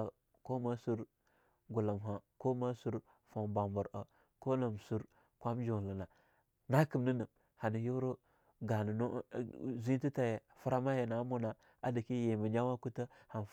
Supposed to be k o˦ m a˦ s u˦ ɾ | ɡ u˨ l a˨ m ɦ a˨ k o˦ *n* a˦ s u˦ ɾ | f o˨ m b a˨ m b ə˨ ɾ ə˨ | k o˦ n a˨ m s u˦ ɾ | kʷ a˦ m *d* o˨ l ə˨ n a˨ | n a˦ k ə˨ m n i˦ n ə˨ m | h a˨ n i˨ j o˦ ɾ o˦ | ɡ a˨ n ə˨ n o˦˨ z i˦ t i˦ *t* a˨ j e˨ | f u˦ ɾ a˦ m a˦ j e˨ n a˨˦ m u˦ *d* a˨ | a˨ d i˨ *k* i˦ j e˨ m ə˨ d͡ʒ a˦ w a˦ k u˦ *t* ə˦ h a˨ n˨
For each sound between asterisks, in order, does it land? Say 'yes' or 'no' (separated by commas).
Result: no, no, yes, no, yes, yes